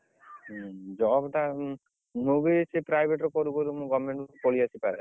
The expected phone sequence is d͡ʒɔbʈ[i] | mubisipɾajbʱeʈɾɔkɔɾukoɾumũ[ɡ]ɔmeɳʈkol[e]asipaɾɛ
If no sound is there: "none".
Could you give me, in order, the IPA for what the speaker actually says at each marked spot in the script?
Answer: a, ɡ, i

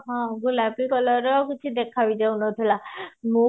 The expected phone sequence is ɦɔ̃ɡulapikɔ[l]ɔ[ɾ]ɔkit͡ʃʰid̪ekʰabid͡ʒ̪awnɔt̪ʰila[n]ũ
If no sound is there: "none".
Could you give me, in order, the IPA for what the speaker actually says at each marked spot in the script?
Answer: l, ɾ, m

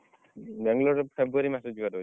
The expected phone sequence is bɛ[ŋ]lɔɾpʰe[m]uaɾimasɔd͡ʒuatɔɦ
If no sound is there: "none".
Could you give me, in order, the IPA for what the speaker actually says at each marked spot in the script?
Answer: ŋ, b

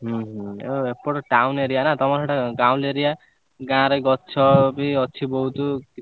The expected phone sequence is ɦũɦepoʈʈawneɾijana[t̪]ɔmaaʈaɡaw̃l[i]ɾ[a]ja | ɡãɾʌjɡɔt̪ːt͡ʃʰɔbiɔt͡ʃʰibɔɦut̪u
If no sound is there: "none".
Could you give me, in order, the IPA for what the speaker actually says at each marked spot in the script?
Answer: t̪, e, i

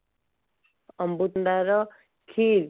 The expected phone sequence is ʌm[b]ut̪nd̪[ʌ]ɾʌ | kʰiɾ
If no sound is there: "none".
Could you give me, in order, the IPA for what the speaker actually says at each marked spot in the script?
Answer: b, a

